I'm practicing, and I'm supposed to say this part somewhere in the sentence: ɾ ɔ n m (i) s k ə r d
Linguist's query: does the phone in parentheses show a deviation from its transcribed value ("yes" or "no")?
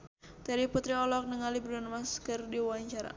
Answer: yes